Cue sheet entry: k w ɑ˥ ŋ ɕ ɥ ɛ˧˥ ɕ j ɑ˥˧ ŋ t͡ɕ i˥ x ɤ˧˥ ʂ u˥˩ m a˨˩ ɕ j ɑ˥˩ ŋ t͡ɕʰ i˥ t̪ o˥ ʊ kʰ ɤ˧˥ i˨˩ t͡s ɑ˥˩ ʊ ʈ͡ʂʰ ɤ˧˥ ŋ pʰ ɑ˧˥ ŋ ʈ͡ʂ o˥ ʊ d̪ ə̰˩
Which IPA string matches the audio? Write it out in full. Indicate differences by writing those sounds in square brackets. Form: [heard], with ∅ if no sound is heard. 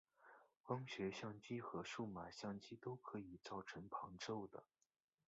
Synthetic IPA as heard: k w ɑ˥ ŋ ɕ ɥ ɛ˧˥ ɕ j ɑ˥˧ ŋ t͡ɕ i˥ x ɤ˧˥ ʂ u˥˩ m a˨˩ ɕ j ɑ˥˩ ŋ [t͡ɕ] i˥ t̪ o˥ ʊ kʰ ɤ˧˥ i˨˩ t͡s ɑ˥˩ ʊ ʈ͡ʂʰ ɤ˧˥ ŋ pʰ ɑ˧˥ ŋ ʈ͡ʂ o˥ ʊ d̪ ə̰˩